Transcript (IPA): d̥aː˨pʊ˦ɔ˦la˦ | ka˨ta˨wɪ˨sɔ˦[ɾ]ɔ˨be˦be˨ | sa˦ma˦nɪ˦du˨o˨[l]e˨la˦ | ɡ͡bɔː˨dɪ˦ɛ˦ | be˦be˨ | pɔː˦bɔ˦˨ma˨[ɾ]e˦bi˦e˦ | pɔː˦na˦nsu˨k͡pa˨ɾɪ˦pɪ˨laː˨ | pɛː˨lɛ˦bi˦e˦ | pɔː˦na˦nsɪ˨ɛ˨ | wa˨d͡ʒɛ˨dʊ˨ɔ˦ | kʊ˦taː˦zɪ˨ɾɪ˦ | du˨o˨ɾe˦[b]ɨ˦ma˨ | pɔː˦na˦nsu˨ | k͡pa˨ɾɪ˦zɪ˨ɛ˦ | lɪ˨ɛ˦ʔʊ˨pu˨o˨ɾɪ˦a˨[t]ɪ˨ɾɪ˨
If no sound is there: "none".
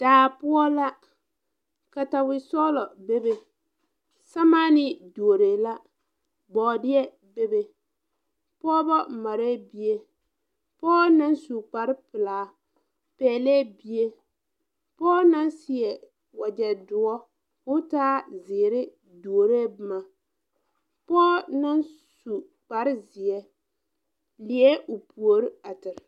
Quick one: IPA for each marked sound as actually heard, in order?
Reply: l, ɾ, ɾ, b, t

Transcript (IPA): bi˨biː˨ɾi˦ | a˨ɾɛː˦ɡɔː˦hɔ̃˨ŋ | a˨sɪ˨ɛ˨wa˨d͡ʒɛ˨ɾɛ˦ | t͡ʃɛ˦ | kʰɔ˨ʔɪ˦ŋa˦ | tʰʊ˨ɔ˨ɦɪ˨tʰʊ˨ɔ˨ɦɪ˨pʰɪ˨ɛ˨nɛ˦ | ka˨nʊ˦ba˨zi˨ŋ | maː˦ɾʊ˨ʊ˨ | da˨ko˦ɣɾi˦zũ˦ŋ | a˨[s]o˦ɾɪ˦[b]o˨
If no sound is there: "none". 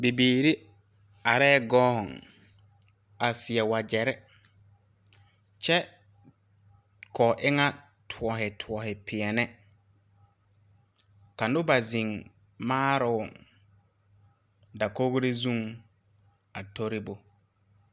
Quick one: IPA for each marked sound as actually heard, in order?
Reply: t, b

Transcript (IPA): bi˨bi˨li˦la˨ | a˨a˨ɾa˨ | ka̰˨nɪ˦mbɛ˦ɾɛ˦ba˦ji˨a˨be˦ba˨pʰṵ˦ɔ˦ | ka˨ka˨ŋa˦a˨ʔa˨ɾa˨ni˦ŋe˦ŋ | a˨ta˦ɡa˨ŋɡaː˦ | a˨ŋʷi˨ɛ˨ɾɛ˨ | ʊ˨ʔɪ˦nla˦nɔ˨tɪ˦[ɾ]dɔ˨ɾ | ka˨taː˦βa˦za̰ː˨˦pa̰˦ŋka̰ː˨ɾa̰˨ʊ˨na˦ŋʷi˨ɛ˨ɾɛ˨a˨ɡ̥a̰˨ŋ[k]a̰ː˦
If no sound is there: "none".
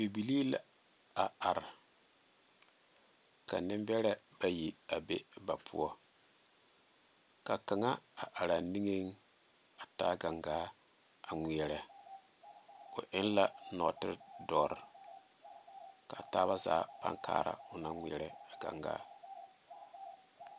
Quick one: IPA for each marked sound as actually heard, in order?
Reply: ɾ, ɡ

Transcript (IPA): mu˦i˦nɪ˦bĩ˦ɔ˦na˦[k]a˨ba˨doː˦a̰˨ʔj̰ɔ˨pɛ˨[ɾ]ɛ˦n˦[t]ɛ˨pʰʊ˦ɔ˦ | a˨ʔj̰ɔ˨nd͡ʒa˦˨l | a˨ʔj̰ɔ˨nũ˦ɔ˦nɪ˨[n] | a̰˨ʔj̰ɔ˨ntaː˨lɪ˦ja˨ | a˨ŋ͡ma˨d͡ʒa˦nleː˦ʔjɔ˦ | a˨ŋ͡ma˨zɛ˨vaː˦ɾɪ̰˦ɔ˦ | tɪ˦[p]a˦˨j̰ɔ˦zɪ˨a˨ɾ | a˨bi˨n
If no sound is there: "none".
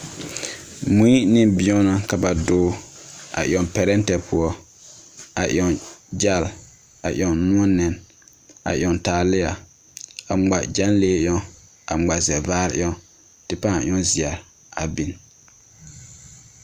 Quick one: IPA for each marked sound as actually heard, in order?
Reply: k, ɾ, t, n, p

